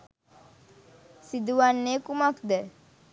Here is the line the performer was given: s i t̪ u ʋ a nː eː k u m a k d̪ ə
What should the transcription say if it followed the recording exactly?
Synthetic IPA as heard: s i d̪ u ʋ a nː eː k u m a k d̪ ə